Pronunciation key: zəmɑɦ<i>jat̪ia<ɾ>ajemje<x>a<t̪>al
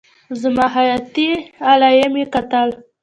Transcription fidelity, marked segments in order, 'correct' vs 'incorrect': incorrect: a, incorrect: l, incorrect: k, correct

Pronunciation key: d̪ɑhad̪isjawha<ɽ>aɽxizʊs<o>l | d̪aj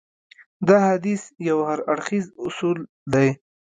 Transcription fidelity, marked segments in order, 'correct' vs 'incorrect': incorrect: ɾ, incorrect: u

